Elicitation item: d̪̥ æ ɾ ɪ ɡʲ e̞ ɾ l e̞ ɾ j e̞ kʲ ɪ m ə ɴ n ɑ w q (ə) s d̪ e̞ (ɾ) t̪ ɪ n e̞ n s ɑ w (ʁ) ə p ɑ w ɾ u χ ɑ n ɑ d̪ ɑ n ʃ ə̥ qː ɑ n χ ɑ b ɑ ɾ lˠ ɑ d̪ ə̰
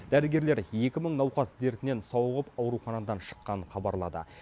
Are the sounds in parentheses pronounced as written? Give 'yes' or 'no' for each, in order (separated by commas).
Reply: no, yes, yes